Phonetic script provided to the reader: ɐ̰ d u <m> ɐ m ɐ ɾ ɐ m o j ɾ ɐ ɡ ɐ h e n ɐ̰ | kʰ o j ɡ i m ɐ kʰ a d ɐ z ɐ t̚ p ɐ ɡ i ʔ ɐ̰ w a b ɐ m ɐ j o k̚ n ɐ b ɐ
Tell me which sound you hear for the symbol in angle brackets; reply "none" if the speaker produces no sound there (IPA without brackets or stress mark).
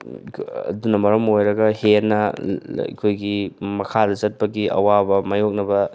n